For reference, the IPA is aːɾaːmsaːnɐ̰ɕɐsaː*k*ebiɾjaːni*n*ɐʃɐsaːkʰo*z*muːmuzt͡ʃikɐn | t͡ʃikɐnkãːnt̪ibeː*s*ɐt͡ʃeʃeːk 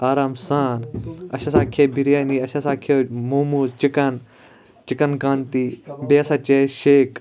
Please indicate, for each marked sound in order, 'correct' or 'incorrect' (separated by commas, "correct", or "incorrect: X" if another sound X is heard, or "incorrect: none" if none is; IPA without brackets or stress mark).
incorrect: kʰ, incorrect: none, incorrect: none, correct